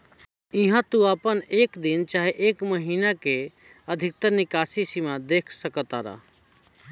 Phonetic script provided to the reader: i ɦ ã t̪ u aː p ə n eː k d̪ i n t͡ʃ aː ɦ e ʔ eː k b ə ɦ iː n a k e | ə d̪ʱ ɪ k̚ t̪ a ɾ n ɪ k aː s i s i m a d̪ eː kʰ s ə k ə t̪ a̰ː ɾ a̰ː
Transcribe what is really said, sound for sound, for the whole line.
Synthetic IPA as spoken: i ɦ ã t̪ u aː p ə n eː k d̪ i n t͡ʃ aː ɦ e ʔ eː k m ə ɦ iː n a k e | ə d̪ʱ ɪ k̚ t̪ ə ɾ n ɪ k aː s i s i m a d̪ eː kʰ s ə k ə t̪ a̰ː ɾ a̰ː